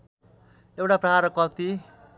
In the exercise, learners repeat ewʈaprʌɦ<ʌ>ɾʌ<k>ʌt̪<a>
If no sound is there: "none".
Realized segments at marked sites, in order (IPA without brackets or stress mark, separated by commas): a, k, i